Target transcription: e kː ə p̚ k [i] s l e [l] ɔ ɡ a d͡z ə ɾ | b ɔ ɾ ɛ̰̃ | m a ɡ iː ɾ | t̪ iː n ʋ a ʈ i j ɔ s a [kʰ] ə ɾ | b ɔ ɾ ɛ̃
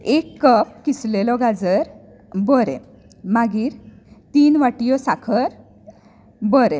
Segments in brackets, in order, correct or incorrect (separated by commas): correct, correct, correct